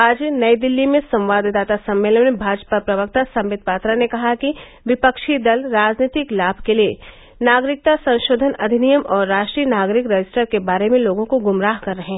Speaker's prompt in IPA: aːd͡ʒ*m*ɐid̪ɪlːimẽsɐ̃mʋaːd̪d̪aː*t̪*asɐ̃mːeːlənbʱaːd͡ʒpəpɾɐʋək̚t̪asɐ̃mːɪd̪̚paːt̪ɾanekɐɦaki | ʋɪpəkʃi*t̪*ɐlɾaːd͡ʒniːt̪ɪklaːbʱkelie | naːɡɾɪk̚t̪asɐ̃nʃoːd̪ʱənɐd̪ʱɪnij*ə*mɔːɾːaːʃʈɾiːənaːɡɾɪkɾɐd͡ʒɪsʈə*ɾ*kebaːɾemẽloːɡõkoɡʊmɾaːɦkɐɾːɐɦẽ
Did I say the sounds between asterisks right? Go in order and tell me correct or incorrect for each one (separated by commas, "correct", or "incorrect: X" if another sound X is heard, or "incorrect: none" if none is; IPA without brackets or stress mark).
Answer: incorrect: n, correct, incorrect: d̪, correct, correct